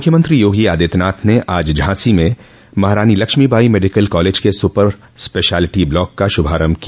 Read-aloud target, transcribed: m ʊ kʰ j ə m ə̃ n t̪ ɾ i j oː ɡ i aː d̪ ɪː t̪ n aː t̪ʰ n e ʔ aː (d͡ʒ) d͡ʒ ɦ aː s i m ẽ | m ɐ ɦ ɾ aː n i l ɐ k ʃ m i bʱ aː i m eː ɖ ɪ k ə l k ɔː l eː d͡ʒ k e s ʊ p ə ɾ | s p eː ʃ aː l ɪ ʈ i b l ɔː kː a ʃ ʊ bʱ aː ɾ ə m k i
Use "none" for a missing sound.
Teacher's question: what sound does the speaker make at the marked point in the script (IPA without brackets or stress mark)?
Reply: d͡ʒ